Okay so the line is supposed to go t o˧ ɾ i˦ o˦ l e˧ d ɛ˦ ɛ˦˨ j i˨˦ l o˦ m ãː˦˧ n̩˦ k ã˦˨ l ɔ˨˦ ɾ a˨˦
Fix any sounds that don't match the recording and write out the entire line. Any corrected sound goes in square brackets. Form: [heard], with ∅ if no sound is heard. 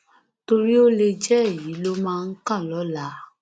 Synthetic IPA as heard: t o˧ ɾ i˦ o˦ l e˧ [d͡ʒ] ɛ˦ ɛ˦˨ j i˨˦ l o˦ m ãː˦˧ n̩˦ k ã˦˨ l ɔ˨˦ [l] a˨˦